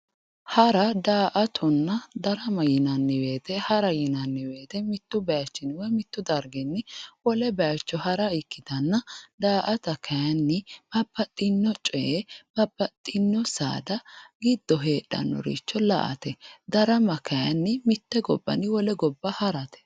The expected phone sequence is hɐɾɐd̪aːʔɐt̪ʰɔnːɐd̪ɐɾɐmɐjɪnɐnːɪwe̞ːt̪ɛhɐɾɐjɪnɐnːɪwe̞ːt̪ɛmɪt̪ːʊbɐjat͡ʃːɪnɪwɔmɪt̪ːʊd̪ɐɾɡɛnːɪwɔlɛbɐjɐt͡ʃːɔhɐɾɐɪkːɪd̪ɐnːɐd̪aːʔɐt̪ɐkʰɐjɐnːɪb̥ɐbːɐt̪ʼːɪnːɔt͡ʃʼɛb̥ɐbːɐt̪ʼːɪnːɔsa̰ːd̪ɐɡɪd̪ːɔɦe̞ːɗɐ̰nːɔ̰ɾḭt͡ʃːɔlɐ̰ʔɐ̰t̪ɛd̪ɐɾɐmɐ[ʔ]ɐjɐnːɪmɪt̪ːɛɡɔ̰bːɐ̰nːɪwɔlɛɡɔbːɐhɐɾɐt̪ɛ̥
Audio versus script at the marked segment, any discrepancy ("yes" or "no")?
yes